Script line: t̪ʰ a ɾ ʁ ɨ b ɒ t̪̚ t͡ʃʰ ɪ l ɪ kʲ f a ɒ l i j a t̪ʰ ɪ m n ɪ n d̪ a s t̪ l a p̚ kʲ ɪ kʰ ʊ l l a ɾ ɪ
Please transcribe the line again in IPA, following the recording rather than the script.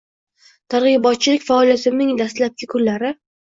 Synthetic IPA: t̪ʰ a ɾ ʁ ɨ b ɒ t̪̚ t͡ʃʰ ɪ l ɪ kʲ f a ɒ l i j a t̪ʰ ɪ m n ɪ ŋ d̪ a s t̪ l a p̚ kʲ ɪ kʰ ʊ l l a ɾ ɪ